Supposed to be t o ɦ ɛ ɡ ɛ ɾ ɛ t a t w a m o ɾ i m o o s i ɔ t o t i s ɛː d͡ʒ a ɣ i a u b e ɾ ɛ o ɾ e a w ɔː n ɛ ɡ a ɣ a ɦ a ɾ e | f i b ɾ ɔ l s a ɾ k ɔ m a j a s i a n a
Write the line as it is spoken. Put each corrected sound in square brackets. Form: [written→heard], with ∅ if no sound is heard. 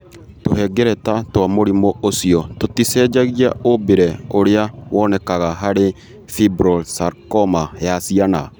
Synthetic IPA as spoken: t o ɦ ɛ ɡ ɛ ɾ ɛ t a t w a m o ɾ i m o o s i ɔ t o t i s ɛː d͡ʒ a ɣ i a [u→o] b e ɾ ɛ o ɾ e a w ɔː n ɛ [ɡ→k] a ɣ a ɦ a ɾ e | f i b ɾ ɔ l s a ɾ k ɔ m a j a s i a n a